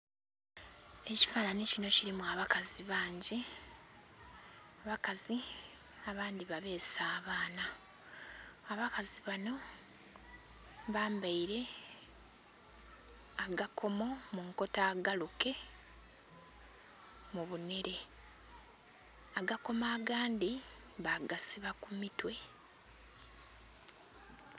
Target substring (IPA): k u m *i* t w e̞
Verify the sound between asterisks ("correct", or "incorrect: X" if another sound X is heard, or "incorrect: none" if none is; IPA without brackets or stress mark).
correct